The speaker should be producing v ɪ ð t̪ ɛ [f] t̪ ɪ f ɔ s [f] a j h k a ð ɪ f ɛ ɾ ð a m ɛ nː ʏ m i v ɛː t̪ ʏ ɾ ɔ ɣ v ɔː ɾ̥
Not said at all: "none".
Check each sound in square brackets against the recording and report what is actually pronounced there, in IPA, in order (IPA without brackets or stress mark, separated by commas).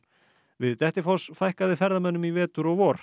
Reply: h, f